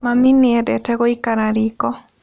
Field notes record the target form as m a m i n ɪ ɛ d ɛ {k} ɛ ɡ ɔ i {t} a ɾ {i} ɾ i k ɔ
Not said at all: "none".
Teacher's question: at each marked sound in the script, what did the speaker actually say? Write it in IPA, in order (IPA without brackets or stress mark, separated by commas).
t, k, a